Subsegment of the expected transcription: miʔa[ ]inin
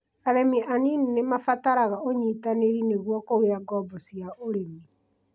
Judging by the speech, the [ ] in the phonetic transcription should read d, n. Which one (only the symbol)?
n